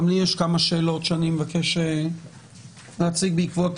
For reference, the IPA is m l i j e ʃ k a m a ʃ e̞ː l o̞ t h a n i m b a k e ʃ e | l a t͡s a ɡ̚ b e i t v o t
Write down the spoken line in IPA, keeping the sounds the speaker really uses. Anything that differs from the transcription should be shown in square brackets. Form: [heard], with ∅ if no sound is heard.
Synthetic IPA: m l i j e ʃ k a m a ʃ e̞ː l o̞ t [ʃ] a n i m [v] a k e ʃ e | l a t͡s [i] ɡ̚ b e i [k] v o t